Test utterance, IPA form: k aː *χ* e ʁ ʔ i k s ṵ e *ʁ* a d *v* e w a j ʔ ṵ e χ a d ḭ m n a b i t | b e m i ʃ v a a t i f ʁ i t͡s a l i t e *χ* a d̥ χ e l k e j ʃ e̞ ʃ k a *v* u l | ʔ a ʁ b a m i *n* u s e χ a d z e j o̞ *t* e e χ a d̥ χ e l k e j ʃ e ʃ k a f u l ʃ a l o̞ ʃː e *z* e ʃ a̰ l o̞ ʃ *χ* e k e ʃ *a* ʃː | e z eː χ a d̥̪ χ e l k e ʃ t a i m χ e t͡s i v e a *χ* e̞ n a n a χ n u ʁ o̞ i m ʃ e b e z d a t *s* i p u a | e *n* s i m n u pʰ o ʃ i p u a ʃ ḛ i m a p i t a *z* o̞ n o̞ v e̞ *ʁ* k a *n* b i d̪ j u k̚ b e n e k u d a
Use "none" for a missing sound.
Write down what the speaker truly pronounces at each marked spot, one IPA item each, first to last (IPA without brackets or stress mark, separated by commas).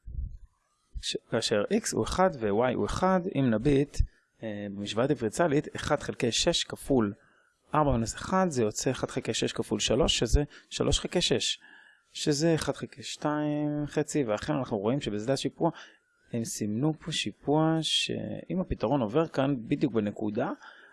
ʃ, χ, v, χ, f, n, t͡s, z, χ, e, χ, ʃ, m, ʁ, ʁ, n